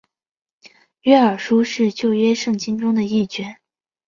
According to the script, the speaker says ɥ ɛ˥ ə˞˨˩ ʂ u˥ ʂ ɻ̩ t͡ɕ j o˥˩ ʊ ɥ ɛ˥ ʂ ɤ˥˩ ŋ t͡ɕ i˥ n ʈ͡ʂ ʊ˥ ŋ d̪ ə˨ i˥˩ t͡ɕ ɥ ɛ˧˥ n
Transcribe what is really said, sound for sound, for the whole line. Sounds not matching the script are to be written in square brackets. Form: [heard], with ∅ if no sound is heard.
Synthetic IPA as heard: ɥ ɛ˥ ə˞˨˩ ʂ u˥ ʂ ɻ̩ t͡ɕ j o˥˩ ʊ ɥ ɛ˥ ʂ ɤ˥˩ ŋ t͡ɕ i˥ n ʈ͡ʂ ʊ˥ ŋ d̪ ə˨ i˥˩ t͡ɕ ɥ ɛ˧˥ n